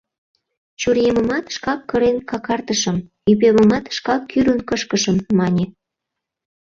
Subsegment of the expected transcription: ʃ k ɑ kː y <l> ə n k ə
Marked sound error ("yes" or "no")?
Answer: yes